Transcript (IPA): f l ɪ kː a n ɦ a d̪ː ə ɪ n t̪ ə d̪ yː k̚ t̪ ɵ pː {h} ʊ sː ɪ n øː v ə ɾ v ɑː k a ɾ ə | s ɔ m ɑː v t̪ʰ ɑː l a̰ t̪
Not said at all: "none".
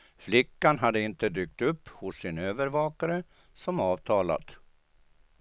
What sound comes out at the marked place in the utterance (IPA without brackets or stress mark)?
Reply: h